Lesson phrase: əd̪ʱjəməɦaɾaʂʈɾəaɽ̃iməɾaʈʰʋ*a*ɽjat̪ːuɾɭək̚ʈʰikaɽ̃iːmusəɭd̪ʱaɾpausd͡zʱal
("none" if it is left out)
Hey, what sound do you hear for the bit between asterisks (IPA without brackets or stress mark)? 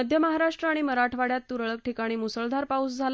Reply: a